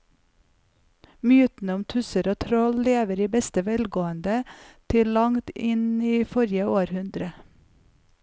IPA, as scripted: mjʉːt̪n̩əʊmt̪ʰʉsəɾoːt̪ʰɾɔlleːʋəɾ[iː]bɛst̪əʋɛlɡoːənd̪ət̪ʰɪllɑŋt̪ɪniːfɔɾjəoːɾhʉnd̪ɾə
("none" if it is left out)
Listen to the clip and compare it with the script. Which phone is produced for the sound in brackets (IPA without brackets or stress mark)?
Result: iː